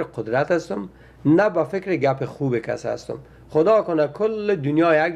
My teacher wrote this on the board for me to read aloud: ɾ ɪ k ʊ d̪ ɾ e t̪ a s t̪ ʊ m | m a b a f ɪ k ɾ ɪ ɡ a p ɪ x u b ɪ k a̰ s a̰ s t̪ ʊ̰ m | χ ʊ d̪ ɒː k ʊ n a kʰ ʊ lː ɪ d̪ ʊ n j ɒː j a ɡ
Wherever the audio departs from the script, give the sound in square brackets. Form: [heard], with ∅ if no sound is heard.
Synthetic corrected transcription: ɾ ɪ [q] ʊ d̪ ɾ [a] t̪ a s t̪ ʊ m | [n] a b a f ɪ k ɾ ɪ ɡ a p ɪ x u b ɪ k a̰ s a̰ s t̪ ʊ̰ m | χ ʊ d̪ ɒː k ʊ n a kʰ ʊ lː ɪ d̪ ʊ n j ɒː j a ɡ

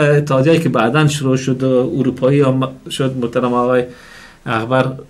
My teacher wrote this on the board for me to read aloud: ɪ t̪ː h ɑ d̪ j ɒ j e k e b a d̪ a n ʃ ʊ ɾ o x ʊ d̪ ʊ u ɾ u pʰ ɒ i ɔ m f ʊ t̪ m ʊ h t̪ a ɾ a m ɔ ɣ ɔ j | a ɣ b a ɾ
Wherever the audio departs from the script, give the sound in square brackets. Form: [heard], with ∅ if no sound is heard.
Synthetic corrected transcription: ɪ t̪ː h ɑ d̪ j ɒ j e k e b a d̪ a n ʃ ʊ ɾ o [ʃ] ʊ d̪ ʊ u ɾ u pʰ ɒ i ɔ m [ʃ] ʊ [d̪] m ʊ h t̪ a ɾ a m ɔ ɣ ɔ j | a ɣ b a ɾ

